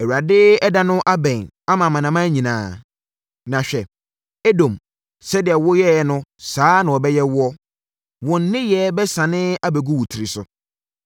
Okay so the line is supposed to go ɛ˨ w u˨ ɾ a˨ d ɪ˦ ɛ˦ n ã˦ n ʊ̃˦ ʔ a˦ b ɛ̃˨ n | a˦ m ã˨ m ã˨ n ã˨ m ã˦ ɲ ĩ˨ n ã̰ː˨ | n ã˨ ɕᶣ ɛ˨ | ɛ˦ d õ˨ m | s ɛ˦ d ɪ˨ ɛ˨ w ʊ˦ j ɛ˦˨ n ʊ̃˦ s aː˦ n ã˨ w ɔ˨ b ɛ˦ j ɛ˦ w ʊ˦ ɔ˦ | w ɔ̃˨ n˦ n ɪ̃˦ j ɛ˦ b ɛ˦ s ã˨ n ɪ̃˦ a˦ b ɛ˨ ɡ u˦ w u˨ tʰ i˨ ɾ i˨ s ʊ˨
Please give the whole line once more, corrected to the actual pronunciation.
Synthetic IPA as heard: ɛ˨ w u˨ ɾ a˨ d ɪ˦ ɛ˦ d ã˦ n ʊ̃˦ ʔ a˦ b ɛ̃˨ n | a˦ m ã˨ m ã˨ n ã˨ m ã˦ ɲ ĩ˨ n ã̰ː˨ | n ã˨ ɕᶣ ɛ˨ | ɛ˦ d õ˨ m | s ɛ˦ d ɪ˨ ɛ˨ w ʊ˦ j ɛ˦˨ n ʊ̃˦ s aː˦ n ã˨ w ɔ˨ b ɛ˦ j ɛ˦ w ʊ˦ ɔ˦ | w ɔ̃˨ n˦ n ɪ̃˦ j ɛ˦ b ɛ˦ s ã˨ n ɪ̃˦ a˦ b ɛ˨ ɡ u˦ w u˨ tʰ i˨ ɾ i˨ s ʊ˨